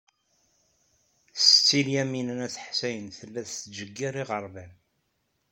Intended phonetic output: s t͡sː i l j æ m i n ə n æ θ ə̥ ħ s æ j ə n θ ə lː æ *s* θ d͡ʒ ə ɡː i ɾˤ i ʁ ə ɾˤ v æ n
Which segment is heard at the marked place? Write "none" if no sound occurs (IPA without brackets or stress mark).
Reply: θ